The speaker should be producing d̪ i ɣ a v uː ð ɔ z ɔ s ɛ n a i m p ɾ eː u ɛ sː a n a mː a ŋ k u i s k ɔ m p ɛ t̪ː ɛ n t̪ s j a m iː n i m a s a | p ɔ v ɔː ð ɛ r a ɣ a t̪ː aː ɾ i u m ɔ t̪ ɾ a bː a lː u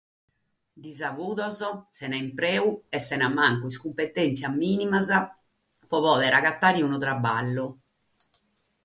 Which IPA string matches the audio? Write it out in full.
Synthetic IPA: d̪ i z a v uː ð ɔ z ɔ s ɛ n a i m p ɾ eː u ɛ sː ɛ n a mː a ŋ k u i s k u m p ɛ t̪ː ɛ n t̪ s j a m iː n i m a z a | p ɔ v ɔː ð ɛ ɾ a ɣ a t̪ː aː ɾ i u n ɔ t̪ ɾ a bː a lː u